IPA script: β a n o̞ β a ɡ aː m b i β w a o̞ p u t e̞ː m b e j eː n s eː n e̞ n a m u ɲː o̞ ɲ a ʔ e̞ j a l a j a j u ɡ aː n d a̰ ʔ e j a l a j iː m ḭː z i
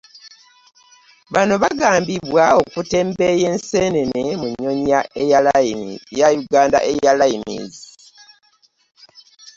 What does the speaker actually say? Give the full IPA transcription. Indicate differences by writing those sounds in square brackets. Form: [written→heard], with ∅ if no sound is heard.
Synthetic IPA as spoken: β a n o̞ β a ɡ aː m b i β w a o̞ [p→k] u t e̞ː m b e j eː n s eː n e̞ n [a→e] m u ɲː o̞ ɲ a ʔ e̞ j a l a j a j u ɡ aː n d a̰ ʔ e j a l a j [iː→i] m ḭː z i